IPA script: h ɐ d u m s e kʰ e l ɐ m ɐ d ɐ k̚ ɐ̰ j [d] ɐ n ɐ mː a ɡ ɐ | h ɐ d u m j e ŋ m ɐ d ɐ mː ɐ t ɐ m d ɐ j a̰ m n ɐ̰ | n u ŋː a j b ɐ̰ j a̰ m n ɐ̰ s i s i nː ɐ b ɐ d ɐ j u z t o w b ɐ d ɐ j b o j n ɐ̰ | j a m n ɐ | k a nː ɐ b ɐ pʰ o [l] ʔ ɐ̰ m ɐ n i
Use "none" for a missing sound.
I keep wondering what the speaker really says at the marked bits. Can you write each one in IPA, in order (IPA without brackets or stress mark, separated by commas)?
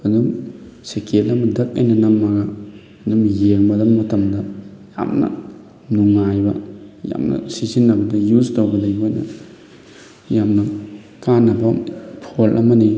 n, l